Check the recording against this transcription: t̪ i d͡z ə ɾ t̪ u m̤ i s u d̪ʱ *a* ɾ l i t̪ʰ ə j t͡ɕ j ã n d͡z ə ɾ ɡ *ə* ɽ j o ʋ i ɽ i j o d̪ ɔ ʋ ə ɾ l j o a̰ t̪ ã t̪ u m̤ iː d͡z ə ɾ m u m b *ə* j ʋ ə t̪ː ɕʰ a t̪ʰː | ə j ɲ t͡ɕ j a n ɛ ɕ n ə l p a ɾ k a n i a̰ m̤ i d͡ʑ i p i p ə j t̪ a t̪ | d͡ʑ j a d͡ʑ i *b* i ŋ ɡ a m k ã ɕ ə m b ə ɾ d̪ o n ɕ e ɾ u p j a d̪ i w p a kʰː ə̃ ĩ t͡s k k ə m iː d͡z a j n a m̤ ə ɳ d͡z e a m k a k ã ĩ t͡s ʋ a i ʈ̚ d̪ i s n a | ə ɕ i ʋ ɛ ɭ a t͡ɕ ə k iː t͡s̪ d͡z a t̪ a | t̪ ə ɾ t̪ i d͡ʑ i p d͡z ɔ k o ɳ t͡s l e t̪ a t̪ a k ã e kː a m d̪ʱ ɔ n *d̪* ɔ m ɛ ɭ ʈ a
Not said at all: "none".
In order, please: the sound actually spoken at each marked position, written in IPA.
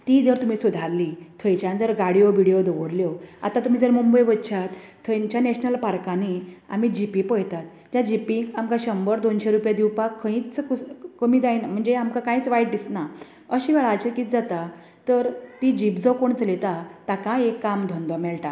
a, a, ə, p, d̪

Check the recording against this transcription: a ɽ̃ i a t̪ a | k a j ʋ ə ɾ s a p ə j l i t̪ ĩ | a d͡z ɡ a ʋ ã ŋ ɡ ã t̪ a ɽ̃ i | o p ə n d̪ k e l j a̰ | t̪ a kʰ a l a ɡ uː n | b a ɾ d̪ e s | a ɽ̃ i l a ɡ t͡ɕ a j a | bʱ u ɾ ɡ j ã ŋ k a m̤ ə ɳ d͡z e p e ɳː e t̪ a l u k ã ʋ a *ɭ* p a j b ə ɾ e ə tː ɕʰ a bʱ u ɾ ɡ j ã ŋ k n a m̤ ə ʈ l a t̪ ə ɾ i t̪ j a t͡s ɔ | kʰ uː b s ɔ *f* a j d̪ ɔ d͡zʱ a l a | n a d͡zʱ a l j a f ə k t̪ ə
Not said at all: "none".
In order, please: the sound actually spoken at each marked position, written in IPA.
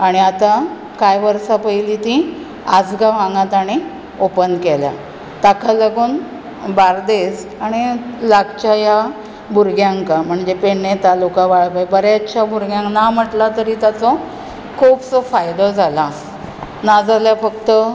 ɭ, f

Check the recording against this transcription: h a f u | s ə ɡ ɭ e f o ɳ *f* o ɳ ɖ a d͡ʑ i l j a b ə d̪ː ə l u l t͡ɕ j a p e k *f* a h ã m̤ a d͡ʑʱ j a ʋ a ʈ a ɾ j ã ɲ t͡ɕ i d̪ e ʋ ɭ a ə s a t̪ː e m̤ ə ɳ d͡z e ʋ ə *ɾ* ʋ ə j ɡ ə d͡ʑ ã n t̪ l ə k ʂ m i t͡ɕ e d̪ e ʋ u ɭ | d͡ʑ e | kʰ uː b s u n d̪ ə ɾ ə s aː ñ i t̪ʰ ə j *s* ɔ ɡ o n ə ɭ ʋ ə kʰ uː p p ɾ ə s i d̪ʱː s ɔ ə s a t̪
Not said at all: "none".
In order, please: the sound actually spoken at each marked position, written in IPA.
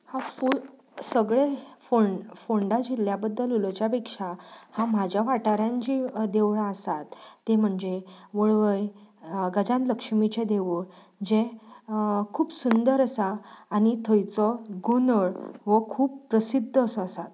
f, ʂ, ɭ, t͡s

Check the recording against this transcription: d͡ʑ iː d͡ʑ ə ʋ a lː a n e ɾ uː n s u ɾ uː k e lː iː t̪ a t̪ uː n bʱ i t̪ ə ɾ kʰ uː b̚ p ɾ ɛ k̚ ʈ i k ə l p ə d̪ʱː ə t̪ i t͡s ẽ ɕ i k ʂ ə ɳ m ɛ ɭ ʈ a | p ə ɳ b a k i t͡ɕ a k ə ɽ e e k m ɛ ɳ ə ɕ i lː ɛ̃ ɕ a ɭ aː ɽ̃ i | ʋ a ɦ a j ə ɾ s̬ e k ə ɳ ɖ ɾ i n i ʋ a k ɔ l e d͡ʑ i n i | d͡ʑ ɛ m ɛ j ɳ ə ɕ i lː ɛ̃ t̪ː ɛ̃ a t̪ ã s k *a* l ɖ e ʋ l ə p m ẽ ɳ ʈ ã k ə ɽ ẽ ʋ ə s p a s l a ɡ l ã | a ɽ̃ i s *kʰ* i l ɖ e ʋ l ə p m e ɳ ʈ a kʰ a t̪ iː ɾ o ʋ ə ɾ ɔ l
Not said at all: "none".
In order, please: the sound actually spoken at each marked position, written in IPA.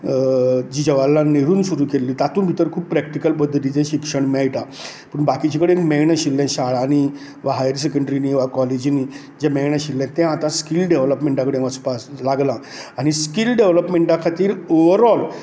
i, k

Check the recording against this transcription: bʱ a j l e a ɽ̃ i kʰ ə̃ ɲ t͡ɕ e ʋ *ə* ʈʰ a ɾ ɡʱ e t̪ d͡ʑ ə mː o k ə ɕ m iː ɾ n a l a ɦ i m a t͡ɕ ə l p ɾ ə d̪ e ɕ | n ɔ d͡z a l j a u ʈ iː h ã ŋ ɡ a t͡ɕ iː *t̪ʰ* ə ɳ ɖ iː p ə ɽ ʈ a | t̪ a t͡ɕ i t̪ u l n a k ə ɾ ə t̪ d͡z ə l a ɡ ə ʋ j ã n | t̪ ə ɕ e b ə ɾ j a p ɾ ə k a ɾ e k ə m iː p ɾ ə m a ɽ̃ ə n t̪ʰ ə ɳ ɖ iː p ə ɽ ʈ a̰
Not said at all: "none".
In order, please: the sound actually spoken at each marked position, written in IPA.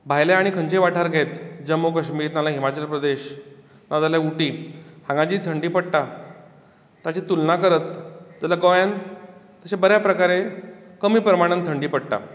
a, t̪ʰ

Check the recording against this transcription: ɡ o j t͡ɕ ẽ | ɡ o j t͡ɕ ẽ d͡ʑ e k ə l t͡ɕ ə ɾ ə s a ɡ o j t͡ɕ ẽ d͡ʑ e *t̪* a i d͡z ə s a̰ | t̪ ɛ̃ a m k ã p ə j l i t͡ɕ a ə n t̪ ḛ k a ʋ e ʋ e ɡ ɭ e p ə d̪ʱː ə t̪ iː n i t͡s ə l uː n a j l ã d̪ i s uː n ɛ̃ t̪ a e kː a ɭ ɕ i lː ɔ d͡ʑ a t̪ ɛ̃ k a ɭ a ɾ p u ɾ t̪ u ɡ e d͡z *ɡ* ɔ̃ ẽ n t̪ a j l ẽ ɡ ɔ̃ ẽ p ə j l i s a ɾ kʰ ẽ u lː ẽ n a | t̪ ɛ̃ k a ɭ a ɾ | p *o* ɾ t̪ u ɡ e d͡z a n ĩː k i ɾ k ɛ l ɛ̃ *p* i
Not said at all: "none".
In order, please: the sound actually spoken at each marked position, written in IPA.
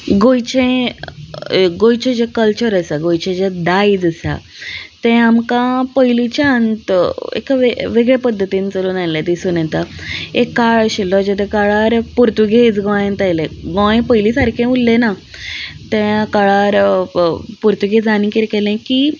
d̪, ɡ, u, k

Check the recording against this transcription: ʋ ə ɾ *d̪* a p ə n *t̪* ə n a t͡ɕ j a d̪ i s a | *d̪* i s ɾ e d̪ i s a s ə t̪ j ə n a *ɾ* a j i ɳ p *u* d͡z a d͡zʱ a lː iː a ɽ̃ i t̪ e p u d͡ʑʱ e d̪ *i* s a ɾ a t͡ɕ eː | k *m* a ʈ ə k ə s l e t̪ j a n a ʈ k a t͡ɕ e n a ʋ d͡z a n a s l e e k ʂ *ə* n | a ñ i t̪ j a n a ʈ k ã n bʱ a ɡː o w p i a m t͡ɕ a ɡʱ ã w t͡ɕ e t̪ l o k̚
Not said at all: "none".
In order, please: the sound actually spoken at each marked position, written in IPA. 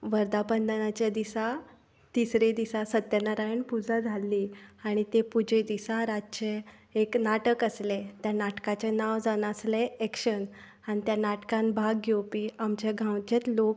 d̪, d̪, t̪, ɾ, u, i, n, ə

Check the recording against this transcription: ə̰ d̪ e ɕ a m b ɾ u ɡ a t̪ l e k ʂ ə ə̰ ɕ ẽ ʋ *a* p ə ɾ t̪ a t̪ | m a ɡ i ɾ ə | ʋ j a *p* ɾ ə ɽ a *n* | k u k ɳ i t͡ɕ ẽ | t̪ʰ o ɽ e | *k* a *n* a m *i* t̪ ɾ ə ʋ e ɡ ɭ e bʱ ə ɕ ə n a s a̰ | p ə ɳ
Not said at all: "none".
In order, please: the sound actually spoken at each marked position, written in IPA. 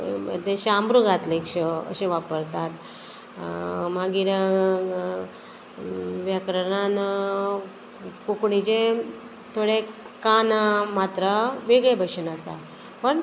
a, k, n, k, n, a

